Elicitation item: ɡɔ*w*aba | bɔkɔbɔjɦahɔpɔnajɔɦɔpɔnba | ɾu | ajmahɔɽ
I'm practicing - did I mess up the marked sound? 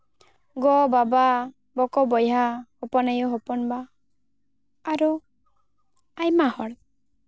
yes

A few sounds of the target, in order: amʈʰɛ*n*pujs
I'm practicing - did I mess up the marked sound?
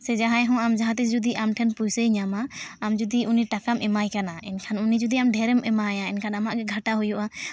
no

